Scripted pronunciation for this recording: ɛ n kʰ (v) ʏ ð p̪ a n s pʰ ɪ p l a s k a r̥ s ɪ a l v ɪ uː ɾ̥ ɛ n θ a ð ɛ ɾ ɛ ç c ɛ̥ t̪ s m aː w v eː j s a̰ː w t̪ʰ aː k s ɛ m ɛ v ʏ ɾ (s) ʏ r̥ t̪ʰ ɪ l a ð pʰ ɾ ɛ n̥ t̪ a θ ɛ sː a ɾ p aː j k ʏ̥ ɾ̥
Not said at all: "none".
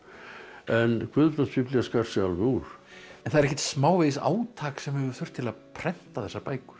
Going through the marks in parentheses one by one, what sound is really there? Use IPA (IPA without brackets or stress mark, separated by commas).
v, θ